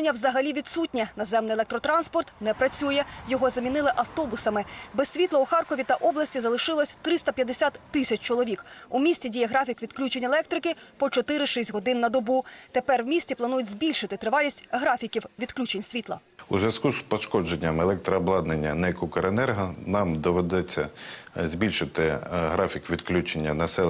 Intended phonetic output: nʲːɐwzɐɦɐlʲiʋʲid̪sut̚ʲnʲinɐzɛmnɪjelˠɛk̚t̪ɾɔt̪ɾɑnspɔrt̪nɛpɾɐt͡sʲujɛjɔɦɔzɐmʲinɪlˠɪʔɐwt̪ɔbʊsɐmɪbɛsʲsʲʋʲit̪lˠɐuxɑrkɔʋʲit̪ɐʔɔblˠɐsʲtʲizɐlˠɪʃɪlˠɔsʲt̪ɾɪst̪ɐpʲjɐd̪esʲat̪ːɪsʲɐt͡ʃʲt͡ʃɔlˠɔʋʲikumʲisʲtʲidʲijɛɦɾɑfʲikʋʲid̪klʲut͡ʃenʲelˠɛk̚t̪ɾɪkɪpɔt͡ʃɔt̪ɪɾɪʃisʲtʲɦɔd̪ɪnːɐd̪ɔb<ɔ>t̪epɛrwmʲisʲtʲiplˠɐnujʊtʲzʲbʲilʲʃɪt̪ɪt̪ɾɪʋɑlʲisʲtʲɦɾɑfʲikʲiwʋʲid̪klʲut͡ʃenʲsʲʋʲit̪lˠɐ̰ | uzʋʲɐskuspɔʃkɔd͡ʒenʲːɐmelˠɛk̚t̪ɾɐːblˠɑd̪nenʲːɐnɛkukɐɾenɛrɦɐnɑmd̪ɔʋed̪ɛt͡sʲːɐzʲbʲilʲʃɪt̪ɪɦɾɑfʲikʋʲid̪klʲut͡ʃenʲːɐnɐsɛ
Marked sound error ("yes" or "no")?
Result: yes